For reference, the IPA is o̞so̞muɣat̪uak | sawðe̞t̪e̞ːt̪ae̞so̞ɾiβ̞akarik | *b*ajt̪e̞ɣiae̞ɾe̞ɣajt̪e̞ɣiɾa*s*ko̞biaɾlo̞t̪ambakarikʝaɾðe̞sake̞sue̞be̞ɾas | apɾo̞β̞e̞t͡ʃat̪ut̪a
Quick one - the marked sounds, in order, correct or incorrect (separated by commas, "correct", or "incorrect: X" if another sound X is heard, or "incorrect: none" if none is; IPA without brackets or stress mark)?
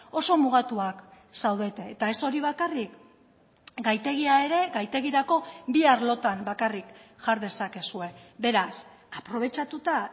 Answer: incorrect: ɡ, incorrect: none